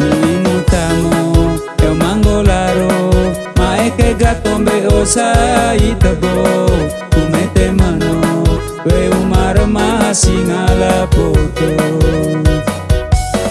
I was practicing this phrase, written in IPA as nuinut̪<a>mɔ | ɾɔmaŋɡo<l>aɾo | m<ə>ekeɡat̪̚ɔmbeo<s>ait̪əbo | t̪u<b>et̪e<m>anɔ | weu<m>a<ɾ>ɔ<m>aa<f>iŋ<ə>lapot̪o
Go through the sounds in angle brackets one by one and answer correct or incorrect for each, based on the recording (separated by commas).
correct, correct, incorrect, correct, incorrect, correct, correct, correct, correct, incorrect, incorrect